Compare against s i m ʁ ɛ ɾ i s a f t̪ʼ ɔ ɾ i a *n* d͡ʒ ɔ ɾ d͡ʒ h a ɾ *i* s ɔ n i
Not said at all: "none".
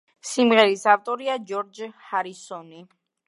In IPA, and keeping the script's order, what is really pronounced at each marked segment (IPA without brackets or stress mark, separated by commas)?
none, i